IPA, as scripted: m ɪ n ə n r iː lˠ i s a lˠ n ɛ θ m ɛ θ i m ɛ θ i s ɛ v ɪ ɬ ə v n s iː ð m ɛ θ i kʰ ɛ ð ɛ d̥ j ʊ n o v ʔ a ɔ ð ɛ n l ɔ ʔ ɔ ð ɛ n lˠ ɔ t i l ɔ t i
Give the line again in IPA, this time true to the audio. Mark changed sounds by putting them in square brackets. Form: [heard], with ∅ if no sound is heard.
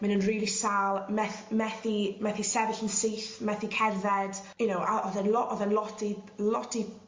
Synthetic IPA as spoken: m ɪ n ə n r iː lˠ i s a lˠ [m] ɛ θ m ɛ θ i m ɛ θ i s ɛ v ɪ ɬ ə [∅] n s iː [θ] m ɛ θ i kʰ ɛ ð ɛ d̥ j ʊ n o [w] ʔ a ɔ ð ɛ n l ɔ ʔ ɔ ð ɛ n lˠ ɔ t i l ɔ t i

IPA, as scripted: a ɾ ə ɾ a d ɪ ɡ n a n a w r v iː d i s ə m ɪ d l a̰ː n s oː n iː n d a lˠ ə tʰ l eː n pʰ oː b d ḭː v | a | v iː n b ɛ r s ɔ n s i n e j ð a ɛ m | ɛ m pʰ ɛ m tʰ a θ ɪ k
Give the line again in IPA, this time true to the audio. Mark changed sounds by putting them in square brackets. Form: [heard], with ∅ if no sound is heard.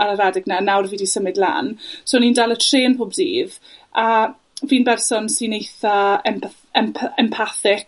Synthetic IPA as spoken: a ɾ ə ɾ a d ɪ ɡ n a n a w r v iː d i s ə m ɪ d l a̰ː n s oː n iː n d a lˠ ə tʰ [r] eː n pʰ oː b d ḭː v | a | v iː n b ɛ r s ɔ n s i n e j [θ] a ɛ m | ɛ m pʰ ɛ m [pʰ] a θ ɪ k

